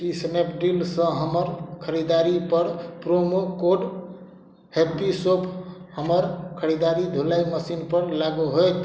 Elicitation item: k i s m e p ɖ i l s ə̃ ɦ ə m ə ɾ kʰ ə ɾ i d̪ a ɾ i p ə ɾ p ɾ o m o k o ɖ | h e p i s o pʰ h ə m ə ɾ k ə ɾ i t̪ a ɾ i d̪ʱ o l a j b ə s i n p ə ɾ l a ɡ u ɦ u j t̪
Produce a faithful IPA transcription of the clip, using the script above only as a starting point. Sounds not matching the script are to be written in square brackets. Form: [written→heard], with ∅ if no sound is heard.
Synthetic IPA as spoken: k i s [m→n] e p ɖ i l s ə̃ ɦ ə m ə ɾ kʰ ə ɾ i d̪ a ɾ i p ə ɾ p ɾ o m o k o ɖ | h e p i s o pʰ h ə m ə ɾ [k→kʰ] ə ɾ i [t̪→d̪] a ɾ i d̪ʱ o l a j [b→m] ə s i n p ə ɾ l a ɡ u ɦ [u→o] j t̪

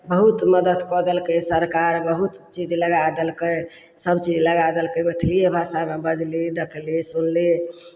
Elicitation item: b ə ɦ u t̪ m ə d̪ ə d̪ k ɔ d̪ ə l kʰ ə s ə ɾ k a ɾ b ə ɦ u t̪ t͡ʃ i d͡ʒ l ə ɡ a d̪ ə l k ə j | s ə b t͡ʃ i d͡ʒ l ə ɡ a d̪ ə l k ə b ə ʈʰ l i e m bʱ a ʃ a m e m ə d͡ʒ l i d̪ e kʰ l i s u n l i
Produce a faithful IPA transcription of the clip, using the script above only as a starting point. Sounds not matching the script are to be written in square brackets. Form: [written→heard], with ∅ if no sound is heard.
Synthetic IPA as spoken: b ə ɦ u t̪ m ə d̪ ə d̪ k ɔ d̪ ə l [kʰ→k] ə s ə ɾ k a ɾ b ə ɦ u t̪ t͡ʃ i d͡ʒ l ə ɡ a d̪ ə l k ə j | s ə b t͡ʃ i d͡ʒ l ə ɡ a d̪ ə l k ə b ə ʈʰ l i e [m→∅] bʱ a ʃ a m e [m→b] ə d͡ʒ l i d̪ e kʰ l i s u n l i

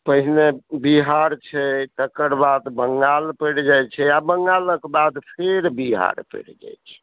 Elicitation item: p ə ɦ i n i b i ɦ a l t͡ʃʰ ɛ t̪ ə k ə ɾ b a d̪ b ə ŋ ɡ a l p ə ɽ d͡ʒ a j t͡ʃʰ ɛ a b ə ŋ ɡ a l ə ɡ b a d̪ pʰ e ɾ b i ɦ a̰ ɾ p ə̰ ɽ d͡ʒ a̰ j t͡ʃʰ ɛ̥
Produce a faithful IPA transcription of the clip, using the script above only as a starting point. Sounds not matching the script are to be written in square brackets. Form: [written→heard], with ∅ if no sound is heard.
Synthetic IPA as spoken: p ə ɦ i n [i→e] b i ɦ a [l→ɾ] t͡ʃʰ ɛ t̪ ə k ə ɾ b a d̪ b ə ŋ ɡ a l p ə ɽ d͡ʒ a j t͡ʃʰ ɛ a b ə ŋ ɡ a l ə [ɡ→k] b a d̪ pʰ e ɾ b i ɦ a̰ ɾ p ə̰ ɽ d͡ʒ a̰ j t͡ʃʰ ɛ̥

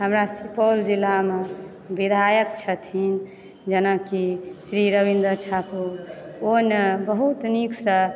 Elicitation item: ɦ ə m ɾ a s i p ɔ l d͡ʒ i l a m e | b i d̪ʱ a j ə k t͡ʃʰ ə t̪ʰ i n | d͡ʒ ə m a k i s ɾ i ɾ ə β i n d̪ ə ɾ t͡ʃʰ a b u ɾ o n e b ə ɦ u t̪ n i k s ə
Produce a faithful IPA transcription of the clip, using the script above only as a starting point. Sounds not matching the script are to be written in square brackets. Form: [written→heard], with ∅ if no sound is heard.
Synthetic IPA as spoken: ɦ ə m ɾ a s i p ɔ l d͡ʒ i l a m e | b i d̪ʱ a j ə k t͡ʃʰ ə t̪ʰ i n | d͡ʒ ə [m→n] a k i s ɾ i ɾ ə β i n d̪ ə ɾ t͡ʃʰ a [b→p] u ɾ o n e b ə ɦ u t̪ n i k s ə

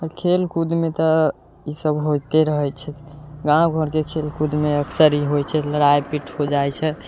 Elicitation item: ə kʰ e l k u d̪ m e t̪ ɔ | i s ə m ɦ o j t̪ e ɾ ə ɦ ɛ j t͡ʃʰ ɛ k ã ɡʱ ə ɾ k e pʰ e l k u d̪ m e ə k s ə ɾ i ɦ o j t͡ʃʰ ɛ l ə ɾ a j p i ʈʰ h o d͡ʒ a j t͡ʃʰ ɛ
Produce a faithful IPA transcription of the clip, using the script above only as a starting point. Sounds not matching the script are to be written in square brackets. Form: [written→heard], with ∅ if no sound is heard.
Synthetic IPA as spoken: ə kʰ e l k u d̪ m e t̪ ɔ | i s ə [m→b] ɦ o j t̪ e ɾ ə ɦ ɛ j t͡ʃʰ ɛ [k→ɡ] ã ɡʱ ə ɾ k e [pʰ→kʰ] e l k u d̪ m e ə k s ə ɾ i ɦ o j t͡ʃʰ ɛ l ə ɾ a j p i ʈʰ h o d͡ʒ a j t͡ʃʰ ɛ

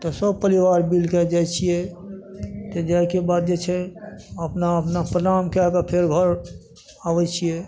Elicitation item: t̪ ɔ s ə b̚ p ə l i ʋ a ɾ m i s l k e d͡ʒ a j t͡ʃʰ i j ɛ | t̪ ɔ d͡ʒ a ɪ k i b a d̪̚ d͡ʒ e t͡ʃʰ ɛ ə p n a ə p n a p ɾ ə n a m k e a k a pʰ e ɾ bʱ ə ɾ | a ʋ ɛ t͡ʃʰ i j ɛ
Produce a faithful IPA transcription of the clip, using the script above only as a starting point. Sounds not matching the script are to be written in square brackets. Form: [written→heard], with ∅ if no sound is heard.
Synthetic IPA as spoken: t̪ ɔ s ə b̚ p ə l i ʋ a ɾ [m→b] i [s→∅] l k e d͡ʒ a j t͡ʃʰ i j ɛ | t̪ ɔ d͡ʒ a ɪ k [i→e] b a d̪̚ d͡ʒ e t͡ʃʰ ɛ ə p n a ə p n a p ɾ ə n a m k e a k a pʰ e ɾ [bʱ→ɡʱ] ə ɾ | a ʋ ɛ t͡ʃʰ i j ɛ

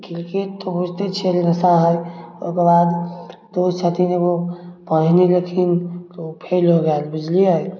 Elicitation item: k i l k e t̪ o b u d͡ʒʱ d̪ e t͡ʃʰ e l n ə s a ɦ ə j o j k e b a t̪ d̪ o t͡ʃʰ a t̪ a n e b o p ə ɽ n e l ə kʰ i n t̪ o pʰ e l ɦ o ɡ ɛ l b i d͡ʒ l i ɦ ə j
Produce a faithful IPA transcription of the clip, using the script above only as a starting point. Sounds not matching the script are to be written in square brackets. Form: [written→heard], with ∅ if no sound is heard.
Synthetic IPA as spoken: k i l k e t̪ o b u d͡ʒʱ [d̪→t̪] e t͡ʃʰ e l n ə s a ɦ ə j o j k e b a [t̪→d̪] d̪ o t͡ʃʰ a t̪ [a→i] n e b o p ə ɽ n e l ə kʰ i n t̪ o pʰ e l ɦ o ɡ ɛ l b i d͡ʒ l i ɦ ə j

